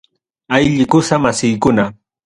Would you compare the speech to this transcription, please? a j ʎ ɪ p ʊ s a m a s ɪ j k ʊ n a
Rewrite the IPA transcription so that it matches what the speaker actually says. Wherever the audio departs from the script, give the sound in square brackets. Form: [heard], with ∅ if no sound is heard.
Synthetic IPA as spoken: a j ʎ ɪ [k] ʊ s a m a s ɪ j k ʊ n a